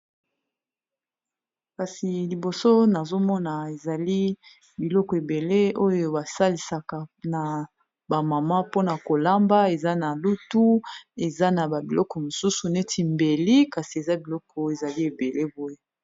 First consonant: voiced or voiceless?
voiceless